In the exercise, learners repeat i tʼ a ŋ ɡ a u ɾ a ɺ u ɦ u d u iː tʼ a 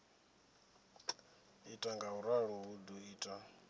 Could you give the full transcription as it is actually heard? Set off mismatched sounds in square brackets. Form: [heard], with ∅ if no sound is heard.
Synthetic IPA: i tʼ a ŋ ɡ a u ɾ a ɺ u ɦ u d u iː tʼ a